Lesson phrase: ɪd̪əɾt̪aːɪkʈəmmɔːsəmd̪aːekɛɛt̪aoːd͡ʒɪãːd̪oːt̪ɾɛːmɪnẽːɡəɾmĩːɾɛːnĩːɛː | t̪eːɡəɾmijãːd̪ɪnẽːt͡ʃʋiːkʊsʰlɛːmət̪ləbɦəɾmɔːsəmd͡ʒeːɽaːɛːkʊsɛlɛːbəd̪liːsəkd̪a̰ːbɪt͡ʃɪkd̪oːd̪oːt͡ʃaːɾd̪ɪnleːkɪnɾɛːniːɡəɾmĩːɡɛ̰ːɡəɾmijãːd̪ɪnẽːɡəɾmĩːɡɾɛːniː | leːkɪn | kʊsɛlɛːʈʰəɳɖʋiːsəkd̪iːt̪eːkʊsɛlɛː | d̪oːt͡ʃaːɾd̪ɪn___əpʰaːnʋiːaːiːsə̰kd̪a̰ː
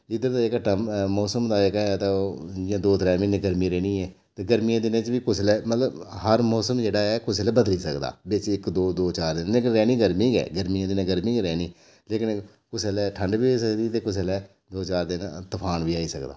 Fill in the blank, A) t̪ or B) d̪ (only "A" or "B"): A